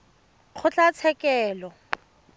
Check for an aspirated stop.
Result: present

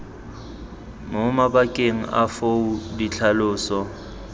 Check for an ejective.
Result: present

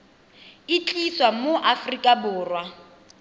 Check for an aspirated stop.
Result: absent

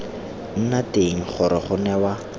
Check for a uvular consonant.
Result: present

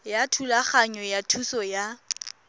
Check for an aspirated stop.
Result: present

